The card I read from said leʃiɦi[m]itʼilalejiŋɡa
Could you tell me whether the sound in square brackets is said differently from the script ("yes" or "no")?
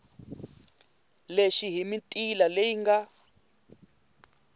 no